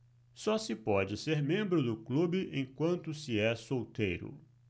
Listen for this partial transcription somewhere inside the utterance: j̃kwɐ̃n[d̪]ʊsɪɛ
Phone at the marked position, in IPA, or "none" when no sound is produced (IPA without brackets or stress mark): t̪